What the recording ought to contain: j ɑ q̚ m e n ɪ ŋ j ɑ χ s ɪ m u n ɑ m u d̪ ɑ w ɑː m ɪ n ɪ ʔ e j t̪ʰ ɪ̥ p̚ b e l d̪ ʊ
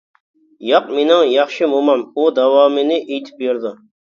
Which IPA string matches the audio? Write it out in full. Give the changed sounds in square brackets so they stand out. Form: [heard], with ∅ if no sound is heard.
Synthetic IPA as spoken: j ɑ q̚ m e n ɪ ŋ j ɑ χ [ʃ] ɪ m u [m] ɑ m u d̪ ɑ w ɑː m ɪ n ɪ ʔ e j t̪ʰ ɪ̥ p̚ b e [ɾ] d̪ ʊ